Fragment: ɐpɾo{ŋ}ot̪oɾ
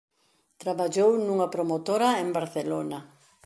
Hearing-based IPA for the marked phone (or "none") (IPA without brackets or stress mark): m